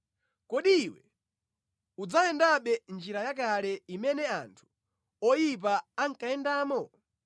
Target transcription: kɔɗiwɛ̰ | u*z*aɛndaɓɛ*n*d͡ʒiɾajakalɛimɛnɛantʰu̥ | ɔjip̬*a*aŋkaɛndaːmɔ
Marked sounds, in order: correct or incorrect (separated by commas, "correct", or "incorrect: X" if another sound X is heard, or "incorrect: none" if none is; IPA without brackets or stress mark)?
incorrect: d͡z, correct, correct